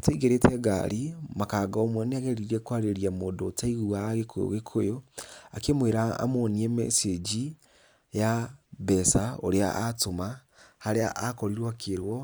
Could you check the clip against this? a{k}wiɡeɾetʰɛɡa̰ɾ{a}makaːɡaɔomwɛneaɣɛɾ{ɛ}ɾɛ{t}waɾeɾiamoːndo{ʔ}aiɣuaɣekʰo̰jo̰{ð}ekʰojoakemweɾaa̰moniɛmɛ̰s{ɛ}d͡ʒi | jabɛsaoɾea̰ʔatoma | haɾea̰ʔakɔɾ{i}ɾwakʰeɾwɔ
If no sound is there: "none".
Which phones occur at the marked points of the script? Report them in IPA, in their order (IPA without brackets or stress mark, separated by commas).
t, i, i, k, t, ɣ, e, i